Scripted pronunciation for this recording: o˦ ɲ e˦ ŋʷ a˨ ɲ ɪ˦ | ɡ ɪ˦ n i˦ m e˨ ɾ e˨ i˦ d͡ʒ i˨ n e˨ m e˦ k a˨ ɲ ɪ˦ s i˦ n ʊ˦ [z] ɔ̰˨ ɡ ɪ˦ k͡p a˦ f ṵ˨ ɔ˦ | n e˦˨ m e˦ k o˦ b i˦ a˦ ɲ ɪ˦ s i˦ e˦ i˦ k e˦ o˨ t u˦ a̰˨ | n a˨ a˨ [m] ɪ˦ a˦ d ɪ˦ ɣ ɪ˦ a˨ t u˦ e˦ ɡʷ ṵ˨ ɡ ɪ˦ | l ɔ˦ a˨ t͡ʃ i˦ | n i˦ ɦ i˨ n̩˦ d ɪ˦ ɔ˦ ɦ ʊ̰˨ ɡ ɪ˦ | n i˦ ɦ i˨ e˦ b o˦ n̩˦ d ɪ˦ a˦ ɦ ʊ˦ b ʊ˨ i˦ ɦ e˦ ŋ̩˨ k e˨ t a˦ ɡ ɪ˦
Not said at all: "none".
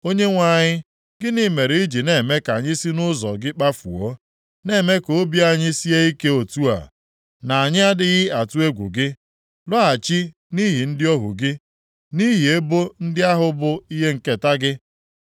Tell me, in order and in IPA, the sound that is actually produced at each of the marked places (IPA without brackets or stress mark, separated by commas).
z, ɲ